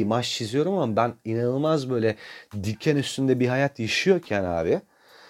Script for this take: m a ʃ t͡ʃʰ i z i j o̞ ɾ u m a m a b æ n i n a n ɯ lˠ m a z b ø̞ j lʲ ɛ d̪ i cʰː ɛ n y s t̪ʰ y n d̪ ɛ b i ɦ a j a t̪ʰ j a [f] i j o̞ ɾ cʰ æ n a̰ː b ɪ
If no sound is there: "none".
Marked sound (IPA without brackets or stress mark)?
ʃ